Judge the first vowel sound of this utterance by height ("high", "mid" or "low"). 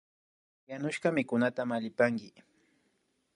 low